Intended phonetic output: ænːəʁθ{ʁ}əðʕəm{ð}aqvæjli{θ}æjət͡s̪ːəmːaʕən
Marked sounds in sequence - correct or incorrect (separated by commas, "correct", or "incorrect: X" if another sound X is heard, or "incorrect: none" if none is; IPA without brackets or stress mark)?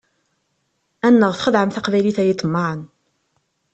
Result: incorrect: χ, incorrect: θ, correct